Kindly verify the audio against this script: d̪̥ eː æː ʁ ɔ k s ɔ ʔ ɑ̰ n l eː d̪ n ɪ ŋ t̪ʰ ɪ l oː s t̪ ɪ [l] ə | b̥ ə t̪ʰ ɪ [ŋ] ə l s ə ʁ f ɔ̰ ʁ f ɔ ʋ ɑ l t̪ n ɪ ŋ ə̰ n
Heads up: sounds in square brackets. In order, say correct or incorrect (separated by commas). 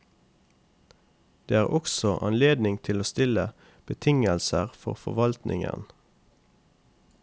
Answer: correct, correct